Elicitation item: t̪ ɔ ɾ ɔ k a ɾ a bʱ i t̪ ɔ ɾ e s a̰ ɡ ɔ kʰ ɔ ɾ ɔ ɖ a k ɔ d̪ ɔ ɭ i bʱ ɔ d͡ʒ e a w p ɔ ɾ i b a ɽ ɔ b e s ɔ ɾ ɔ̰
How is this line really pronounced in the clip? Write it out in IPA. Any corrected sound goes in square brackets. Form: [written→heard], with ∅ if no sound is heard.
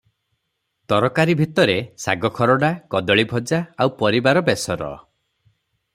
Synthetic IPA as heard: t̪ ɔ ɾ ɔ k a ɾ [a→i] bʱ i t̪ ɔ ɾ e s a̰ ɡ ɔ kʰ ɔ ɾ ɔ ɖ a k ɔ d̪ ɔ ɭ i bʱ ɔ d͡ʒ [e→a] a w p ɔ ɾ i b a [ɽ→ɾ] ɔ b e s ɔ ɾ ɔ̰